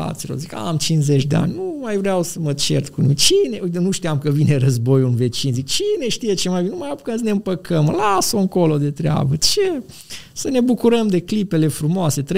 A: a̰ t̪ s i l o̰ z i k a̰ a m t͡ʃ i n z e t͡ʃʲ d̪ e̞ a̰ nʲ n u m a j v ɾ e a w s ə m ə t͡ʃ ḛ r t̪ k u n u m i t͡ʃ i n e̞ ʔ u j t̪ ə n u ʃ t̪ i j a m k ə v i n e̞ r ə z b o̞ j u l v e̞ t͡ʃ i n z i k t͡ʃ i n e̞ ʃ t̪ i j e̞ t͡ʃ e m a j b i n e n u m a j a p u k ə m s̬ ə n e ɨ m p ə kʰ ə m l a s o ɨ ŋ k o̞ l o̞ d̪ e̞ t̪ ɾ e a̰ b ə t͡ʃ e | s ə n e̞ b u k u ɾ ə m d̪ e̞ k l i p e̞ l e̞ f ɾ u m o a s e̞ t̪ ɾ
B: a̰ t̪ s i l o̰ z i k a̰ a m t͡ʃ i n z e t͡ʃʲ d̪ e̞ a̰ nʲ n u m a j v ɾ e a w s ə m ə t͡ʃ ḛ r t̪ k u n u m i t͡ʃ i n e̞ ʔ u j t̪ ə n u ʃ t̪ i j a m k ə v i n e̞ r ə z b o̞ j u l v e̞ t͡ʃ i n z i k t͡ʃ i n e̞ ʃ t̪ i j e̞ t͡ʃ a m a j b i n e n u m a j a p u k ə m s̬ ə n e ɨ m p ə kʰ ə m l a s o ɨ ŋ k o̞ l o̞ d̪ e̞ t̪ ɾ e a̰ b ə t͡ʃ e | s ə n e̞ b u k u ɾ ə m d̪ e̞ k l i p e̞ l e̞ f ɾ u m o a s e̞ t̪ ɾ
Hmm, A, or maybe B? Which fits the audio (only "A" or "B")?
A